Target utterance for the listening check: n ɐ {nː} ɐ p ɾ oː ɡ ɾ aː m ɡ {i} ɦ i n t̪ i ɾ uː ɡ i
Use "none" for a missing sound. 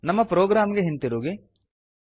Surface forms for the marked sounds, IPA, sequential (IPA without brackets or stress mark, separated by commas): mː, e